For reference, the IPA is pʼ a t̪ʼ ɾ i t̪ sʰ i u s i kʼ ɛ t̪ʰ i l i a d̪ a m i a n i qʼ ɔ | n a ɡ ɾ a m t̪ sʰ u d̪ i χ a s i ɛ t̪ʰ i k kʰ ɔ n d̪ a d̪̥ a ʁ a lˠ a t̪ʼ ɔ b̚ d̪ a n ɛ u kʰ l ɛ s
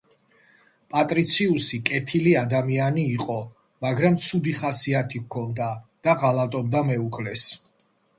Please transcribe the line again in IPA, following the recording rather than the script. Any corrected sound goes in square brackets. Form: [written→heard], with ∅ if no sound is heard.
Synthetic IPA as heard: pʼ a t̪ʼ ɾ i t̪ sʰ i u s i kʼ ɛ t̪ʰ i l i a d̪ a m i a n [i→iː] qʼ ɔ | [n→m] a ɡ ɾ a m t̪ sʰ u d̪ i χ a s i [ɛ→a] t̪ʰ i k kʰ ɔ n d̪ a d̪̥ a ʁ a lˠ a t̪ʼ ɔ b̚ d̪ a [n→m] ɛ u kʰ l ɛ s